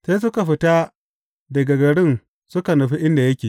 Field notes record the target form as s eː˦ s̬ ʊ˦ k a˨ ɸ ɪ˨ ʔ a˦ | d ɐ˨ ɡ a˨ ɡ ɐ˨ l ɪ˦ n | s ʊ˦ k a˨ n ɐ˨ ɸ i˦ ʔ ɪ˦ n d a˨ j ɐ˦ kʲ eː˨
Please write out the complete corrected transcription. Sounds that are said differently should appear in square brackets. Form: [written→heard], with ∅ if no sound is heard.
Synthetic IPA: s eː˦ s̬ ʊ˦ k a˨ ɸ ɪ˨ [ʔ→t] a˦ | d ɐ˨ ɡ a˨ ɡ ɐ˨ [l→ɽ] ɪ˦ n | s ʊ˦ k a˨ n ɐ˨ ɸ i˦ ʔ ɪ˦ n d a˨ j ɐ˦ kʲ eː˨